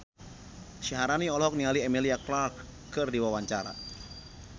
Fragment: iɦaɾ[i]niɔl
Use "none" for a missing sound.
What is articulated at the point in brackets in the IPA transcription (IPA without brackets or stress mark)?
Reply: a